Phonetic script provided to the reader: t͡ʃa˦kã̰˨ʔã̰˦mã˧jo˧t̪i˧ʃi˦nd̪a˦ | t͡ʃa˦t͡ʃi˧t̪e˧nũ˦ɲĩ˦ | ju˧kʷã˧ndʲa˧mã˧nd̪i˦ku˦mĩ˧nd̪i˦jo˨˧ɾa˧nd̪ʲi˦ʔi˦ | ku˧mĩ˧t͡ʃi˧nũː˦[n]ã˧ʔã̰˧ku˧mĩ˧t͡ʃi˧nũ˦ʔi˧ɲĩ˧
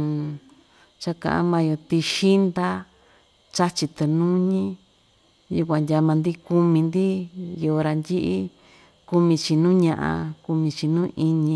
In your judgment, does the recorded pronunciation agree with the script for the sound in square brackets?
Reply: no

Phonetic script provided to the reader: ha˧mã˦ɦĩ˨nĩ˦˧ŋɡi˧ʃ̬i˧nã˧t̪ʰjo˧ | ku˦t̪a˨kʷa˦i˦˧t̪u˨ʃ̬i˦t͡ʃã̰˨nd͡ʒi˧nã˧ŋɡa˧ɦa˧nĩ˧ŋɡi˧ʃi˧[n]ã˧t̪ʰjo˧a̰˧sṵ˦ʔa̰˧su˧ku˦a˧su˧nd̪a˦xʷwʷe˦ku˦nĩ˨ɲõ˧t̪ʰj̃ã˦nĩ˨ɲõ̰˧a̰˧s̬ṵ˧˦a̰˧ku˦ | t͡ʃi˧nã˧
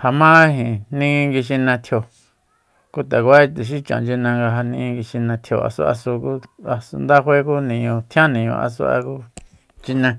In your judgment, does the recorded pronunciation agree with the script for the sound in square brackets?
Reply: yes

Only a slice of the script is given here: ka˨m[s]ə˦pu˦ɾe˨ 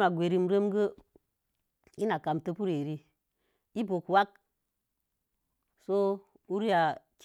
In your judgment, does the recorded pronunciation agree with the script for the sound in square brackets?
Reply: no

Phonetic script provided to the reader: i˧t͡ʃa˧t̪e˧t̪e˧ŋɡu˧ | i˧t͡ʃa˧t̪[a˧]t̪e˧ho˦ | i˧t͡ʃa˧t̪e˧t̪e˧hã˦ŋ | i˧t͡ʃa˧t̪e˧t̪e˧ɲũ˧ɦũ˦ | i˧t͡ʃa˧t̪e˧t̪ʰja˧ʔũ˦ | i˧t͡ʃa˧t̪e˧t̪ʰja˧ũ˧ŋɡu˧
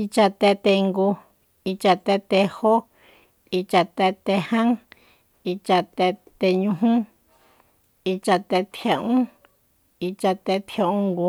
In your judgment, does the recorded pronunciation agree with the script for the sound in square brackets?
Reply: no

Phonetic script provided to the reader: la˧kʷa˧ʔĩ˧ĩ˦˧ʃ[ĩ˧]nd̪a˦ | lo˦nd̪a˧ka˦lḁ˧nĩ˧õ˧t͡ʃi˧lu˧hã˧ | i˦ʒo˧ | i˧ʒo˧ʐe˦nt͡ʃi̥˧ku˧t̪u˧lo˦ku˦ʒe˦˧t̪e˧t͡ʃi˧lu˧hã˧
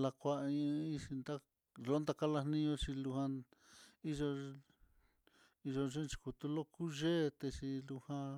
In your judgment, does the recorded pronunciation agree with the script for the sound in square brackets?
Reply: no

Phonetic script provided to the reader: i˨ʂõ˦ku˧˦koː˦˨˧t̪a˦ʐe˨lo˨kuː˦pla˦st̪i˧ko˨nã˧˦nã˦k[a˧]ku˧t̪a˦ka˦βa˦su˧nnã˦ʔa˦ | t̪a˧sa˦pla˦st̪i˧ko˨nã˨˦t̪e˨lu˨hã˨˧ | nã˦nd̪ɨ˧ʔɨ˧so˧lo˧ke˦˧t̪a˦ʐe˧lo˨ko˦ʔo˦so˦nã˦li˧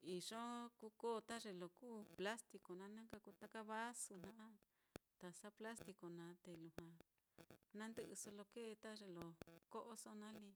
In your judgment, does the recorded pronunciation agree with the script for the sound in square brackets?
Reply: yes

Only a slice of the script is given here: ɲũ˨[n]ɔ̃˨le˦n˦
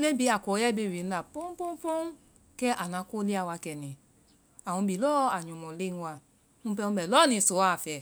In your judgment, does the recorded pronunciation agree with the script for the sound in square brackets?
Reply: no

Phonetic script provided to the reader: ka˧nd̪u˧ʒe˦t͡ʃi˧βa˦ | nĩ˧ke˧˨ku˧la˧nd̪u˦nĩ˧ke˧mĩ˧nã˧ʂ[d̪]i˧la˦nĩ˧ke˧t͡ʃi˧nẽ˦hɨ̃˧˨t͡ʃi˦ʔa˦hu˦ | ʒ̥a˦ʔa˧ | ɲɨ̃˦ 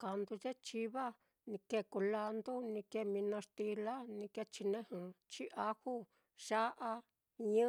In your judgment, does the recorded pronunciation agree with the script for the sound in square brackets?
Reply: no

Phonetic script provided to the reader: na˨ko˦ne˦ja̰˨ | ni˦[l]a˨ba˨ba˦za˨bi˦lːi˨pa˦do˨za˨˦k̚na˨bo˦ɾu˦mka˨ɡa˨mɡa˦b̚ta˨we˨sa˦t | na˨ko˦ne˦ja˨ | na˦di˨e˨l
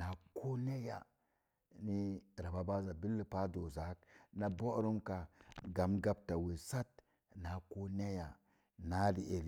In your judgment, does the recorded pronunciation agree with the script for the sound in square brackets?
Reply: no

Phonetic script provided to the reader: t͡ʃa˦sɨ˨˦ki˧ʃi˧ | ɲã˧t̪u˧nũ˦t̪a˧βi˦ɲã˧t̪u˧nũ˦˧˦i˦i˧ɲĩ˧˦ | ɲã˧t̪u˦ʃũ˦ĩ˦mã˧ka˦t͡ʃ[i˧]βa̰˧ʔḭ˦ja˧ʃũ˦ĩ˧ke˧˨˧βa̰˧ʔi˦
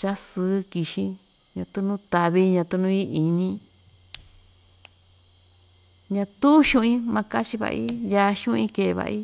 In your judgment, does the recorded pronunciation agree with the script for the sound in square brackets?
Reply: yes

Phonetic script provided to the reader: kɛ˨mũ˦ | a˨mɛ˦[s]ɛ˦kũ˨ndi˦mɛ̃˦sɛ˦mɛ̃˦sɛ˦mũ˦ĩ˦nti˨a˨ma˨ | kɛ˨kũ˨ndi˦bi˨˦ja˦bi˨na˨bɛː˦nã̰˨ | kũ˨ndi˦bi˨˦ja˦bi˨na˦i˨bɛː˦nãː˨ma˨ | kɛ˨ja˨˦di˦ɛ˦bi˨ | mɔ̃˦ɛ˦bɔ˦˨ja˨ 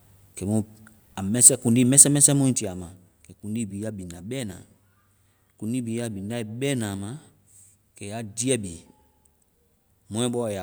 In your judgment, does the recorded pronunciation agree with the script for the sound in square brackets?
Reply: yes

